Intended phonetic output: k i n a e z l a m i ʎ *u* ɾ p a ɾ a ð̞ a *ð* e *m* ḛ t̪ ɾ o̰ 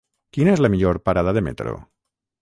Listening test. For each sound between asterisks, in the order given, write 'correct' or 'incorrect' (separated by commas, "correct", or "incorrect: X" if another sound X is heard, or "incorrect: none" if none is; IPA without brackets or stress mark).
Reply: incorrect: o, correct, correct